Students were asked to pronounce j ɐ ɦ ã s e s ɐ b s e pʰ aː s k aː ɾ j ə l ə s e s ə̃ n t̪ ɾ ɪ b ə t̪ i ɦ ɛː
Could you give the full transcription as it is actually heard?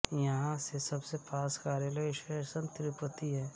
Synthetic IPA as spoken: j ɐ ɦ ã s e s ɐ b s e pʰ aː s k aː ɾ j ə l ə ʃ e s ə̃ n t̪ ɾ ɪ p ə t̪ i ɦ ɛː